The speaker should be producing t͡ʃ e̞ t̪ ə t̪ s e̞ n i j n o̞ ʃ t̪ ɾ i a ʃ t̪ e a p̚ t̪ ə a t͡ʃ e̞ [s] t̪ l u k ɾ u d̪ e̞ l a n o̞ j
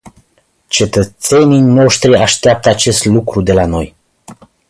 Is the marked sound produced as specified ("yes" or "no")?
yes